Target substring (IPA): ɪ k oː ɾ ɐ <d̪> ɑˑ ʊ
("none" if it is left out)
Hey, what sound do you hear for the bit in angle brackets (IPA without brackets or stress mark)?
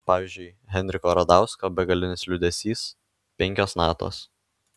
d̪